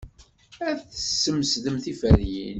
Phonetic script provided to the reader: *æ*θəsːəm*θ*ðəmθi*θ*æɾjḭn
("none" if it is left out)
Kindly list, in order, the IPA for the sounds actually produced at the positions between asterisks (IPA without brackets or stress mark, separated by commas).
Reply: æ, s, f